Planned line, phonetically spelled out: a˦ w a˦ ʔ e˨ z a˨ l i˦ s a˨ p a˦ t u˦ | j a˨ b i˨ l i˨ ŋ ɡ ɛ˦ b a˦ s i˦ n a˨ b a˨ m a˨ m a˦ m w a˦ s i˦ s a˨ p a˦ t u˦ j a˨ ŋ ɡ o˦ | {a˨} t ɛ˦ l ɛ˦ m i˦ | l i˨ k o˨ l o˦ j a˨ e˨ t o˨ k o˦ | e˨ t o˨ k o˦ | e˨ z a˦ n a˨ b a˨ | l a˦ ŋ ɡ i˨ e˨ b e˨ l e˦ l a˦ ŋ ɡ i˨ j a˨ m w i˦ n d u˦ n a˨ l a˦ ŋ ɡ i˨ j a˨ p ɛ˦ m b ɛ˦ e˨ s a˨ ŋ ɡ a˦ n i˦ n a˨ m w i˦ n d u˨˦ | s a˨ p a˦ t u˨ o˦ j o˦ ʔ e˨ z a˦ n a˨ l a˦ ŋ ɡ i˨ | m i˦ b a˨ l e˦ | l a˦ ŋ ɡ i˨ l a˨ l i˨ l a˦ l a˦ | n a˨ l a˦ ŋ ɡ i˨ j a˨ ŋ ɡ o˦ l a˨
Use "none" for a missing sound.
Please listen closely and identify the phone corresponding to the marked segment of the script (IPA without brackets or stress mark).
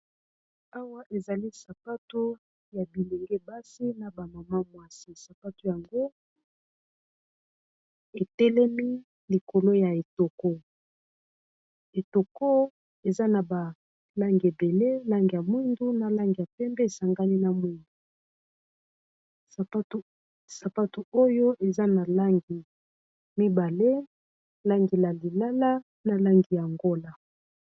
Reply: e˨